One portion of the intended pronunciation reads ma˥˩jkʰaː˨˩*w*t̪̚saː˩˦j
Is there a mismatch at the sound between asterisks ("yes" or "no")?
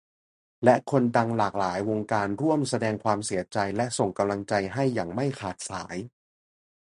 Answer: yes